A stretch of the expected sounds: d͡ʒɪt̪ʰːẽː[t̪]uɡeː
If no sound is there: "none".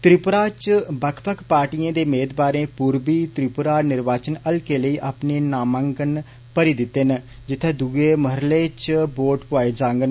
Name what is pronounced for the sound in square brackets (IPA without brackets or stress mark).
d̪